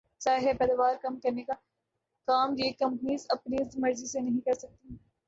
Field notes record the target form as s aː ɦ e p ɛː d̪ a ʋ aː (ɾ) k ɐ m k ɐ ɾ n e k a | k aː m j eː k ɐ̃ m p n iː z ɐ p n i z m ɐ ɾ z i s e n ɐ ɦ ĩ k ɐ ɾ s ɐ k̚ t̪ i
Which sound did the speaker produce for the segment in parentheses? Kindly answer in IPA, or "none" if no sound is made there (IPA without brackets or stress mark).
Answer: ɾ